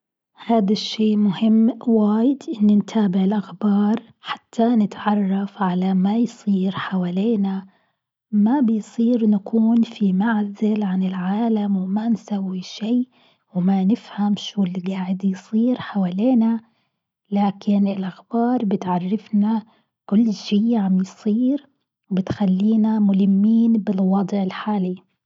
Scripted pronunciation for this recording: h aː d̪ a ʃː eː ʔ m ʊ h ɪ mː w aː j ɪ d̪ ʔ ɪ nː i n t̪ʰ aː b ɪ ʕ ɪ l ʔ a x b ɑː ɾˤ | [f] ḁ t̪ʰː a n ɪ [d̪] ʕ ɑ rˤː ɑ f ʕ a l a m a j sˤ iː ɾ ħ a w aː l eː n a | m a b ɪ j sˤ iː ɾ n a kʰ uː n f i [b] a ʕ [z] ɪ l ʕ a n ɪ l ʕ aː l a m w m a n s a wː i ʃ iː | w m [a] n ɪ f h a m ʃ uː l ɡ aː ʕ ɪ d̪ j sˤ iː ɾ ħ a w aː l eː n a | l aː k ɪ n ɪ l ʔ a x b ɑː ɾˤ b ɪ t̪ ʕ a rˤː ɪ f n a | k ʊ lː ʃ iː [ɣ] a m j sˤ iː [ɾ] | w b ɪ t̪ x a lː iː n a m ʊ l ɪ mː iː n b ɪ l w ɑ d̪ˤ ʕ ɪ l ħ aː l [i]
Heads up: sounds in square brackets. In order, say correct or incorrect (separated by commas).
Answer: incorrect, incorrect, incorrect, correct, correct, incorrect, correct, correct